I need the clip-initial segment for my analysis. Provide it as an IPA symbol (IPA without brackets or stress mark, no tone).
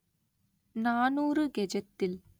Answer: n